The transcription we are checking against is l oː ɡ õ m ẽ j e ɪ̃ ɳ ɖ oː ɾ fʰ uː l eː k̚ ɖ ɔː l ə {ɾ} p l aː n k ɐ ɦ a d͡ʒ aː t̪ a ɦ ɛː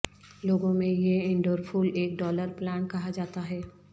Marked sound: correct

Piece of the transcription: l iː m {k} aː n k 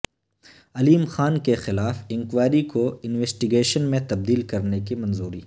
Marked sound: incorrect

